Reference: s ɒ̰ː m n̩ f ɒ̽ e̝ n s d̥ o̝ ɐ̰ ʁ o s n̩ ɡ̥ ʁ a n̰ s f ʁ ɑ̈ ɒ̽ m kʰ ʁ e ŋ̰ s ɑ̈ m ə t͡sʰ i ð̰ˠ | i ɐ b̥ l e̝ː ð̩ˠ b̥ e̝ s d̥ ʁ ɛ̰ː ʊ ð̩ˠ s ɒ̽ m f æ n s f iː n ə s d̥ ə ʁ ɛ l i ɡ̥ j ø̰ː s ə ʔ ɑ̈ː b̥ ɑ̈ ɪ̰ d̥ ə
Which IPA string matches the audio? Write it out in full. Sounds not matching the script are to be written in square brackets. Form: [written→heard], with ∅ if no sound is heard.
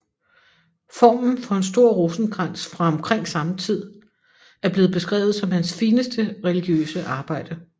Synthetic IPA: [s→f] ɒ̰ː m n̩ f ɒ̽ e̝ n s d̥ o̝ ɐ̰ ʁ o s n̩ ɡ̥ ʁ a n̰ s f ʁ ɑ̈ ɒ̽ m kʰ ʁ e ŋ̰ s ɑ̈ m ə t͡sʰ i ð̰ˠ | [i→æ] ɐ b̥ l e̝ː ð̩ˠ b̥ e̝ s [d̥→ɡ̥] ʁ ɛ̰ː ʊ ð̩ˠ s ɒ̽ m [f→h] æ n s f iː n ə s d̥ ə ʁ ɛ l i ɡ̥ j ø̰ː s ə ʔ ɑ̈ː b̥ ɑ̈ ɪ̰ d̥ ə